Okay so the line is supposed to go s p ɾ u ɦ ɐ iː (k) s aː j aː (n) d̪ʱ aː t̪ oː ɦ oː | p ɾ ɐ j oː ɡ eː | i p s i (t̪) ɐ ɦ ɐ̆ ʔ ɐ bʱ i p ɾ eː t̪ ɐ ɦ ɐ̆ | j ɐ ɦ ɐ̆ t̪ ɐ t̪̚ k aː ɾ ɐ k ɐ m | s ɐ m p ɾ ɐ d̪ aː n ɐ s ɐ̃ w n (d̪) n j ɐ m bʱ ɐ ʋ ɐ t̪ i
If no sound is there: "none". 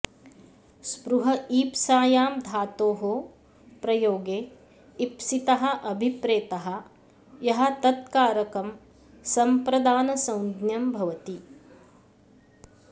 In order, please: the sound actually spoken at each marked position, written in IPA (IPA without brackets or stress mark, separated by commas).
p, m, t̪, d̪